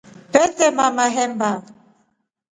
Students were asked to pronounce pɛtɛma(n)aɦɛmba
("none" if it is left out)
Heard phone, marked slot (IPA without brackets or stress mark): m